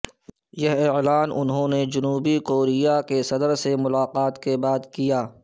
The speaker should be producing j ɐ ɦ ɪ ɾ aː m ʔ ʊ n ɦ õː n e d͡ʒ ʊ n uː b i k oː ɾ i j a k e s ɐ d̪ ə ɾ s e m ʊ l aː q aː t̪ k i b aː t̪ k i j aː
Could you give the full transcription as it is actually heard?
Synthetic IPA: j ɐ ɦ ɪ l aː n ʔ ʊ n ɦ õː n e d͡ʒ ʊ n uː b i k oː ɾ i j a k e s ɐ d̪ ə ɾ s e m ʊ l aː q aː t̪ k e b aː d̪ k i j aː